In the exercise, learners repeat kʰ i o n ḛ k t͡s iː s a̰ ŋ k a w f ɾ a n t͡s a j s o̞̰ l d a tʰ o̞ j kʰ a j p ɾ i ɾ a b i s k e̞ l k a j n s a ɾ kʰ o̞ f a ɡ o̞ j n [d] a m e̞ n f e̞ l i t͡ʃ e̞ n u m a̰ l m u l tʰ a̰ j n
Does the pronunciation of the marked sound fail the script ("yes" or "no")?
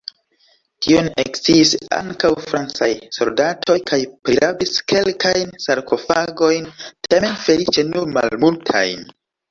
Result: yes